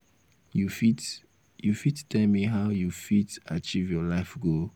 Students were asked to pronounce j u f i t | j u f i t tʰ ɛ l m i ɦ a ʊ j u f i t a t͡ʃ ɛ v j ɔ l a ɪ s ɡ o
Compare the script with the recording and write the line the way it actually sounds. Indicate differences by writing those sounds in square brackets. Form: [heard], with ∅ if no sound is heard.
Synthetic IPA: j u f i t | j u f i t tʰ ɛ l m i ɦ a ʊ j u f i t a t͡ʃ [i] v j ɔ l a ɪ [f] ɡ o